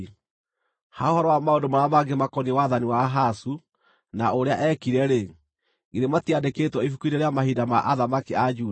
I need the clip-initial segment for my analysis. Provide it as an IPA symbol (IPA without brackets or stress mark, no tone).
h